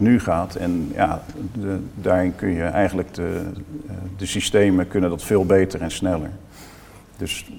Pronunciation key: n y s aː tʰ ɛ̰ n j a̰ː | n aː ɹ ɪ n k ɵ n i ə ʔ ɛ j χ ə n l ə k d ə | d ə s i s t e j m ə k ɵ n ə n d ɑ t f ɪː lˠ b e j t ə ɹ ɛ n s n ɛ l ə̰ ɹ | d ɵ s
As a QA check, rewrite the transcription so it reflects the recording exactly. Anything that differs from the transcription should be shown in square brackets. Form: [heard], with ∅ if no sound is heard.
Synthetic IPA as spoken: n y [χ] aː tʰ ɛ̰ n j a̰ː | [d] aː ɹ ɪ n k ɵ n [j] ə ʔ ɛ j χ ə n l ə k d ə | d ə s i s t e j m ə k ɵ n ə n d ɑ t f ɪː lˠ b e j t ə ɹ ɛ n s n ɛ l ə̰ ɹ | d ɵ s